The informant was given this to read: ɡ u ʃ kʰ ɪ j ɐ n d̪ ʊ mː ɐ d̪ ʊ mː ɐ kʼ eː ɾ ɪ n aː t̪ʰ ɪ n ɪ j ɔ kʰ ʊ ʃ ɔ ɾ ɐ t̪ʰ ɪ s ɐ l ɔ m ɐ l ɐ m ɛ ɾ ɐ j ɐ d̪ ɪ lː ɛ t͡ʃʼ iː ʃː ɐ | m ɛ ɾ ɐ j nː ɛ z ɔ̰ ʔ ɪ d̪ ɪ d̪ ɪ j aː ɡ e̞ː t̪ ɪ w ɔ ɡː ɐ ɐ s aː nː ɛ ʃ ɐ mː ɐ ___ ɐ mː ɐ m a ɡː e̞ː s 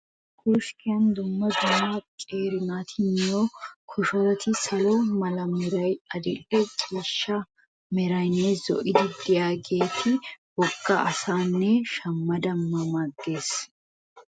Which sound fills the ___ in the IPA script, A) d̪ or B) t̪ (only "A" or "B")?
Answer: A